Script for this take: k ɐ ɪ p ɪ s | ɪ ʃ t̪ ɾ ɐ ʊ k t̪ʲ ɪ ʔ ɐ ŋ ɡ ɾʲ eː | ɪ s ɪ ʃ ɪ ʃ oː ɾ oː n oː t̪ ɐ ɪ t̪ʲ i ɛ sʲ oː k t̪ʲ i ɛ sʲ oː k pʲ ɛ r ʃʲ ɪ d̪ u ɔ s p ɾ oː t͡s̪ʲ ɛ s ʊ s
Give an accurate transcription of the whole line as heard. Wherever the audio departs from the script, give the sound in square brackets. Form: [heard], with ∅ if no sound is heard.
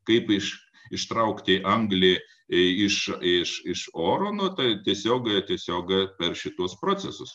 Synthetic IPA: k ɐ ɪ p ɪ [ʃ] | ɪ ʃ t̪ ɾ ɐ ʊ k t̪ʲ ɪ ʔ ɐ ŋ ɡ [lʲ] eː | ɪ [ʃ] ɪ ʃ ɪ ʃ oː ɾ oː n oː t̪ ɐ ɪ t̪ʲ i ɛ sʲ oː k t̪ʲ i ɛ sʲ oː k pʲ ɛ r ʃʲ ɪ [t̪] u ɔ s p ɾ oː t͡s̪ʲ ɛ s ʊ s

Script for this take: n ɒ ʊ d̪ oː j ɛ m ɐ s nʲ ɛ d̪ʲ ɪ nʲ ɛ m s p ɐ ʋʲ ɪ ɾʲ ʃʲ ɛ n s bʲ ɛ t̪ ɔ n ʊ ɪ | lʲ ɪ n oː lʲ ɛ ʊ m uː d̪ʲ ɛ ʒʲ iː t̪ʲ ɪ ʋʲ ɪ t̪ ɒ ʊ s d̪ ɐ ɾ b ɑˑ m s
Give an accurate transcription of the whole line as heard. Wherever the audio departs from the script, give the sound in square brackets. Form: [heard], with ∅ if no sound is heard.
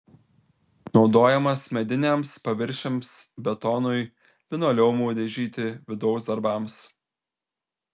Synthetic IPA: n ɒ ʊ d̪ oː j ɛ m ɐ s [mʲ] ɛ d̪ʲ ɪ nʲ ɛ m s p ɐ ʋʲ ɪ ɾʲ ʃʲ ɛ [m] s bʲ ɛ t̪ ɔ n ʊ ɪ | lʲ ɪ n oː lʲ ɛ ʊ m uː d̪ʲ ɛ ʒʲ iː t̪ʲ ɪ ʋʲ ɪ [d̪] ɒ ʊ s d̪ ɐ ɾ b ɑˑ m s

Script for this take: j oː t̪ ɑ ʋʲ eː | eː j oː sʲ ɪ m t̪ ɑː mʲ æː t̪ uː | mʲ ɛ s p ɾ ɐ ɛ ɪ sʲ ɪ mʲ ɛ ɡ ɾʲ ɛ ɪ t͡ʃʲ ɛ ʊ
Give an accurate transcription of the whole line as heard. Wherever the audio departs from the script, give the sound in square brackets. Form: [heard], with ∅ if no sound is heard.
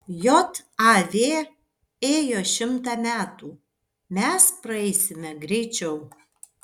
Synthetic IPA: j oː t̪ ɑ ʋʲ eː | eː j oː [ʃʲ] ɪ m t̪ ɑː mʲ æː t̪ uː | mʲ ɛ s p ɾ ɐ ɛ ɪ sʲ ɪ mʲ ɛ ɡ ɾʲ ɛ ɪ t͡ʃʲ ɛ ʊ

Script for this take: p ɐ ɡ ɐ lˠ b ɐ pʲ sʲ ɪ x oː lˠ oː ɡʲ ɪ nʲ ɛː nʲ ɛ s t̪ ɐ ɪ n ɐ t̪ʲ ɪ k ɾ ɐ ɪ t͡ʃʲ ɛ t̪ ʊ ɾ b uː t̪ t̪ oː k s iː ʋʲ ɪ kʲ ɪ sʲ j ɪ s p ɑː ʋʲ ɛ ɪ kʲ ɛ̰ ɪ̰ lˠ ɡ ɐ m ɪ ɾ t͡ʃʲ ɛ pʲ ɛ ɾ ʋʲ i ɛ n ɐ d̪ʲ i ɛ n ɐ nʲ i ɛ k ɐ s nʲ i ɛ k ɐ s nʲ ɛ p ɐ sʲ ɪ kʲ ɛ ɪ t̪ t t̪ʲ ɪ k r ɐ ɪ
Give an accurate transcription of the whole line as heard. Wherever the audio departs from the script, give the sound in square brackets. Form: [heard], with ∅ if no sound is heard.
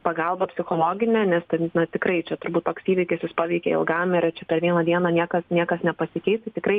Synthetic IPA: p ɐ ɡ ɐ lˠ b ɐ pʲ sʲ ɪ x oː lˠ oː ɡʲ ɪ nʲ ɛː nʲ ɛ s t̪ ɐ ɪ n ɐ t̪ʲ ɪ k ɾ ɐ ɪ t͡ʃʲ ɛ t̪ ʊ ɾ b uː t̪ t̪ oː k s iː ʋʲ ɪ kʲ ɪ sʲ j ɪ s p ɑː ʋʲ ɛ ɪ kʲ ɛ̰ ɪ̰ lˠ ɡ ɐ m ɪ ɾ t͡ʃʲ ɛ pʲ ɛ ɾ ʋʲ i ɛ n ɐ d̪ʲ i ɛ n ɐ nʲ i ɛ k ɐ s nʲ i ɛ k ɐ s nʲ ɛ p ɐ sʲ ɪ kʲ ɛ ɪ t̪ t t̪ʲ ɪ k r ɐ ɪ

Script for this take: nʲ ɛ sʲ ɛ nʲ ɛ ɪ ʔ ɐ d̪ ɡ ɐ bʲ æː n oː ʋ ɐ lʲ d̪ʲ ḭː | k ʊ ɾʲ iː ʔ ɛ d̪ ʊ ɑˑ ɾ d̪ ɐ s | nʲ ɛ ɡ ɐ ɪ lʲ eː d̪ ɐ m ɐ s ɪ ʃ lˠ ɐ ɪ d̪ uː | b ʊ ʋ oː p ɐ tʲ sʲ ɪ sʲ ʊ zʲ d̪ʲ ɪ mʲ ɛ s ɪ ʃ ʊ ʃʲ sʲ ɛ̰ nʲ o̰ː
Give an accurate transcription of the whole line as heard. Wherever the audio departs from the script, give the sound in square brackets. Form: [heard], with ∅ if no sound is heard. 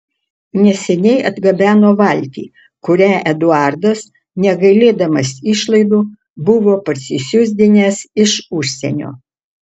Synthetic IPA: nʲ ɛ sʲ ɛ nʲ ɛ ɪ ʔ ɐ d̪ ɡ ɐ bʲ æː n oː ʋ ɐ lʲ [t̪ʲ] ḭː | k ʊ ɾʲ [æː] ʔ ɛ d̪ ʊ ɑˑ ɾ d̪ ɐ s | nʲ ɛ ɡ ɐ ɪ lʲ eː d̪ ɐ m ɐ s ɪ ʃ lˠ ɐ ɪ d̪ uː | b ʊ ʋ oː p ɐ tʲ sʲ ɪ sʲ ʊ zʲ d̪ʲ ɪ [nʲ] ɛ s ɪ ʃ ʊ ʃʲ sʲ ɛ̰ nʲ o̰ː

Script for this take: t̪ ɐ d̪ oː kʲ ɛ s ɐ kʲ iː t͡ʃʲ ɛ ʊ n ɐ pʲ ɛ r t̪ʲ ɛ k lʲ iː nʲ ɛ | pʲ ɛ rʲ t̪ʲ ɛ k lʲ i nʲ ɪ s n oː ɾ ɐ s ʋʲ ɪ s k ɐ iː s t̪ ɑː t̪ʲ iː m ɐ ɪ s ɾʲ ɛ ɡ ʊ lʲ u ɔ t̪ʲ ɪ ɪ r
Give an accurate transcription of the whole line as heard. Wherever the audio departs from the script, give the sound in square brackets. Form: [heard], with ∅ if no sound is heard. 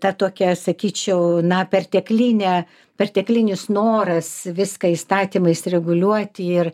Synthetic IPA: t̪ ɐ [t̪] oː kʲ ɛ s ɐ kʲ iː t͡ʃʲ ɛ ʊ n ɐ pʲ ɛ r t̪ʲ ɛ k lʲ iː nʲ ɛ | pʲ ɛ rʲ t̪ʲ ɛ k lʲ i nʲ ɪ s n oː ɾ ɐ s ʋʲ ɪ s k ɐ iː s t̪ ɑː t̪ʲ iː m ɐ ɪ s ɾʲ ɛ ɡ ʊ lʲ u ɔ t̪ʲ ɪ ɪ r

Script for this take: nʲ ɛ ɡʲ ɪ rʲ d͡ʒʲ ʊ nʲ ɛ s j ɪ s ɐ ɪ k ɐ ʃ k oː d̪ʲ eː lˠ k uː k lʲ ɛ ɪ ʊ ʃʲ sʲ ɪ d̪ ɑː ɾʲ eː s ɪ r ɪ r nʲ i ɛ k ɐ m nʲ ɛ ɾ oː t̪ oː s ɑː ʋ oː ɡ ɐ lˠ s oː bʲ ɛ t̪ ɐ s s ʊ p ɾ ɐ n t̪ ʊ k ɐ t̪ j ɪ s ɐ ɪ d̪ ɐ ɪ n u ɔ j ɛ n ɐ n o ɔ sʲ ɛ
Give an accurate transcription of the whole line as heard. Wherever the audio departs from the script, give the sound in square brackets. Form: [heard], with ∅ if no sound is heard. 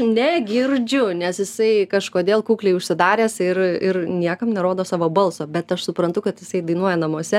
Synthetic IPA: nʲ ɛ ɡʲ ɪ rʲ d͡ʒʲ ʊ nʲ ɛ s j ɪ s ɐ ɪ k ɐ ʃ k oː d̪ʲ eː lˠ k uː k lʲ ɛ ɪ ʊ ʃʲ sʲ ɪ d̪ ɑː ɾʲ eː s ɪ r ɪ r nʲ i ɛ k ɐ m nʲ ɛ ɾ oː [d̪] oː s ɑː ʋ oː [b] ɐ lˠ s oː bʲ ɛ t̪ ɐ [ʃ] s ʊ p ɾ ɐ n t̪ ʊ k ɐ t̪ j ɪ s ɐ ɪ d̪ ɐ ɪ n u ɔ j ɛ n ɐ [m] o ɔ sʲ ɛ

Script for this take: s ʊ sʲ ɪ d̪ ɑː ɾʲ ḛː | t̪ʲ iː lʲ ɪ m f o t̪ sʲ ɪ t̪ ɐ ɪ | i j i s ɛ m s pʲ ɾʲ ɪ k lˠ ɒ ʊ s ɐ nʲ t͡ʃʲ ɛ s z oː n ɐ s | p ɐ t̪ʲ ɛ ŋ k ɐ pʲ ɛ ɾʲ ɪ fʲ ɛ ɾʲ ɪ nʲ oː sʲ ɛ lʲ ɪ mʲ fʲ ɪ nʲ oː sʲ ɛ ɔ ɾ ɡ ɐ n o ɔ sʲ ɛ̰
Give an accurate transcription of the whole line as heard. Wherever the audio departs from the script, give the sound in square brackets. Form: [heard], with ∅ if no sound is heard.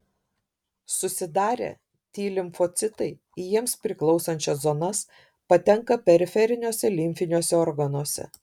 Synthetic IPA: s ʊ sʲ ɪ d̪ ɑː ɾʲ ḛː | t̪ʲ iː lʲ ɪ m f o t̪ sʲ ɪ t̪ ɐ ɪ | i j i [∅] ɛ m s pʲ ɾʲ ɪ k lˠ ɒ ʊ s ɐ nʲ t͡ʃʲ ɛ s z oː n ɐ s | p ɐ t̪ʲ ɛ ŋ k ɐ pʲ ɛ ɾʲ ɪ fʲ ɛ ɾʲ ɪ nʲ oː sʲ ɛ lʲ ɪ mʲ fʲ ɪ nʲ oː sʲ ɛ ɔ ɾ ɡ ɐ n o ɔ sʲ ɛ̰

